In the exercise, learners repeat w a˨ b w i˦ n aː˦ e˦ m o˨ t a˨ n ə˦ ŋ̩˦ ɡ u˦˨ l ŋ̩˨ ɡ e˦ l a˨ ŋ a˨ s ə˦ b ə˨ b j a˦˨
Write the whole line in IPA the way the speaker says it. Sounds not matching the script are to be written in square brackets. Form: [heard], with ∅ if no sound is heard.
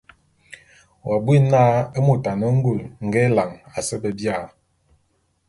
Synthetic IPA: w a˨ b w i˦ n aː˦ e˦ m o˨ t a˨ n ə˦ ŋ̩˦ ɡ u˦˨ l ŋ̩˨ ɡ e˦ l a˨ ŋ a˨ s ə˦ b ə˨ b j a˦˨